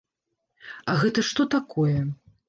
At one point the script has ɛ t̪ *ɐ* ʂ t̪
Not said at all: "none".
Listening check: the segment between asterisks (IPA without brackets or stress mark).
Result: ɐ